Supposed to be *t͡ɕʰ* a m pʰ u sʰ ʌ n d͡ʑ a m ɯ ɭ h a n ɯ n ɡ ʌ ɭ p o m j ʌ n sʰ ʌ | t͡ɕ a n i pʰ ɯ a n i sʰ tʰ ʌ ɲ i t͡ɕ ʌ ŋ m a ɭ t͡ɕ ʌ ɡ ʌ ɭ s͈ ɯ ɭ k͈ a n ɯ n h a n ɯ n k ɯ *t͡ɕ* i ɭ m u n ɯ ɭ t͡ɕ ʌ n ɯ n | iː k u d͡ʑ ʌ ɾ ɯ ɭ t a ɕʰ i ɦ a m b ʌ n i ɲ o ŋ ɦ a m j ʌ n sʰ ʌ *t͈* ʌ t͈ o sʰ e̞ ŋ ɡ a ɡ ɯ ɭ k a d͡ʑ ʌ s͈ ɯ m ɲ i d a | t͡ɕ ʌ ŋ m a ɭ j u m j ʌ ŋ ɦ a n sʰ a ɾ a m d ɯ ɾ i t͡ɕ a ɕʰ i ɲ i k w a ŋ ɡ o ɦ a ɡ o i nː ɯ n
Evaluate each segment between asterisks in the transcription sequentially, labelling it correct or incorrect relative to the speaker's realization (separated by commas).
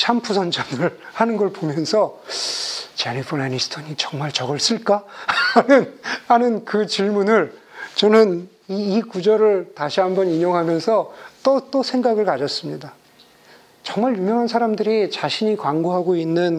correct, correct, correct